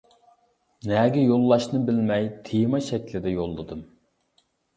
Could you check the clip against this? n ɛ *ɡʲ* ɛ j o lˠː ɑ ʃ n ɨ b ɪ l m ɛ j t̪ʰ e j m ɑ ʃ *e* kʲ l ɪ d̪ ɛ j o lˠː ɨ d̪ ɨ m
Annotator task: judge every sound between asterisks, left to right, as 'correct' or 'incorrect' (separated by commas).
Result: correct, incorrect